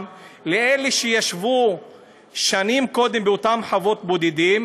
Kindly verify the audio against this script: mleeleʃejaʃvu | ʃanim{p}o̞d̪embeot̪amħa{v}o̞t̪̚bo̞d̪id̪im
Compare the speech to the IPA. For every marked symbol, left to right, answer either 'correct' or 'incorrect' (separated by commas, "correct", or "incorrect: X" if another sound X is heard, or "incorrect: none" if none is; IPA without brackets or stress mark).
incorrect: k, correct